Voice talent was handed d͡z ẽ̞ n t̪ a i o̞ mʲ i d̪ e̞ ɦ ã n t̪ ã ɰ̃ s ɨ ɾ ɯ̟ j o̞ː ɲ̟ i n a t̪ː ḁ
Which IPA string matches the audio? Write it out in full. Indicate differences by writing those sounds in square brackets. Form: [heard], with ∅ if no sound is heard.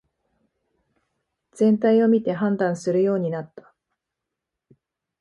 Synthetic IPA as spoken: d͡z ẽ̞ n t̪ a i o̞ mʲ i [t̪] e̞ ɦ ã n [d̪] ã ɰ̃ s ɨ ɾ ɯ̟ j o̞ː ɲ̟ i n a t̪ː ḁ